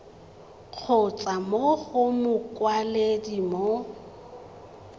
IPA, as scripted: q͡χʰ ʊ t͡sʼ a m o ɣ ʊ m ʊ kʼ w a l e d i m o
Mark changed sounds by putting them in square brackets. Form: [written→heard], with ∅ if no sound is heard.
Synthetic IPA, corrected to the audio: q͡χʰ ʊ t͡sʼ a m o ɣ ʊ m ʊ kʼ w a l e d i m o